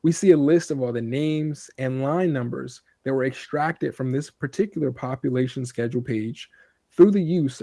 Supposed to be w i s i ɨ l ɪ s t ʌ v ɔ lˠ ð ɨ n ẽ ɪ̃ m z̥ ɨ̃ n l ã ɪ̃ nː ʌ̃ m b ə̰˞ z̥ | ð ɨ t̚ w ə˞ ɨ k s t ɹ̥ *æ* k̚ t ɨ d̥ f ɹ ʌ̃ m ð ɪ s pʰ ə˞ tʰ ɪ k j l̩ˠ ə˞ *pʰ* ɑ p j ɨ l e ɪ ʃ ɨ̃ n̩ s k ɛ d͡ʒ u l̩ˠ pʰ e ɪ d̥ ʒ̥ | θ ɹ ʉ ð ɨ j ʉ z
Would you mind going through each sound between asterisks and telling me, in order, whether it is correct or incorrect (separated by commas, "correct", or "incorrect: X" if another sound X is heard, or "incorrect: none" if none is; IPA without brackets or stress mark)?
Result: correct, correct